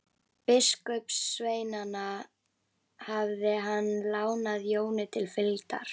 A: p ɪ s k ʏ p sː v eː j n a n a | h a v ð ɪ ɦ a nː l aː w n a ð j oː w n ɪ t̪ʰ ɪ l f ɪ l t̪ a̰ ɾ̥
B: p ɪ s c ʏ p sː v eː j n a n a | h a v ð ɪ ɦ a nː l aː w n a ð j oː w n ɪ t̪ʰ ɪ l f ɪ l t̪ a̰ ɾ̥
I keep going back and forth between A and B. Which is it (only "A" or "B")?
A